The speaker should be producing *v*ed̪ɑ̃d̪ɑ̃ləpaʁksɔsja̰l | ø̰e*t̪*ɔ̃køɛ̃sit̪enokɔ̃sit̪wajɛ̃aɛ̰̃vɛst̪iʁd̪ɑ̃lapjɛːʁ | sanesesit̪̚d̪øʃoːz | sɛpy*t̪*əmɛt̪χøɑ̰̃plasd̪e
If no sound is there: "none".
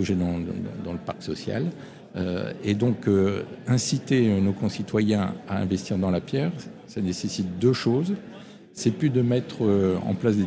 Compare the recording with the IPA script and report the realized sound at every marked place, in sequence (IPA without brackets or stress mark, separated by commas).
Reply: ʒ, d̪, d̪